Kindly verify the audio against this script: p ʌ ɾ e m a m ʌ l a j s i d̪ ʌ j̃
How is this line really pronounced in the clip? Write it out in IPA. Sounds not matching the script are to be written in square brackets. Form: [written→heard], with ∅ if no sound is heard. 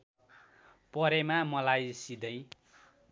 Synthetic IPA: p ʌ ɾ e m a m ʌ l a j s i d̪ ʌ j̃